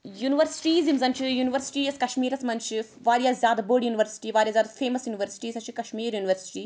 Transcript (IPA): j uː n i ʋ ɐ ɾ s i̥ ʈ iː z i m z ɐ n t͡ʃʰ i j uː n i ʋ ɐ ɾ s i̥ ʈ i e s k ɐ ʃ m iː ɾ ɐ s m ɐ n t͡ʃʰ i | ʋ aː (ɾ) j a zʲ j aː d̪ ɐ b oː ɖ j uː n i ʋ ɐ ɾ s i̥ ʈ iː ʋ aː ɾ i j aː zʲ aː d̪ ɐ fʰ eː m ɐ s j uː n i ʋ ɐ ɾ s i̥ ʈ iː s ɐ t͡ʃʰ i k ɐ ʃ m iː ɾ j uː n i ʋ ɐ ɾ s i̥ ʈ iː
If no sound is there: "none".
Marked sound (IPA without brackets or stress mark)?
ɾ